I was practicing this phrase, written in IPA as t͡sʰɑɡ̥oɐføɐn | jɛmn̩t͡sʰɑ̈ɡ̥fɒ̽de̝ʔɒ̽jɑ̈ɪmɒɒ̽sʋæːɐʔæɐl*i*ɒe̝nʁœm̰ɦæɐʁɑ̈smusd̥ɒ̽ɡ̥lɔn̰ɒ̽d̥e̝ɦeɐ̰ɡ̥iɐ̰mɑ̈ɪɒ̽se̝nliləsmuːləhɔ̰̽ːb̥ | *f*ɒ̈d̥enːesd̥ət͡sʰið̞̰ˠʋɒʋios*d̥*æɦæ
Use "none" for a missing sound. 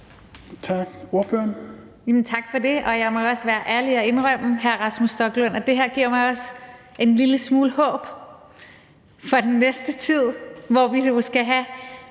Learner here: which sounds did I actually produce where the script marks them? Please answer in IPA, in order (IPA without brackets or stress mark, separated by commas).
i, f, ɡ̥